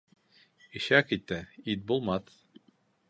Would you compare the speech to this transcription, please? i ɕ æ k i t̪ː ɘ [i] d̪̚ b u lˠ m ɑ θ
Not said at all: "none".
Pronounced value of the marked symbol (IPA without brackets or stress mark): i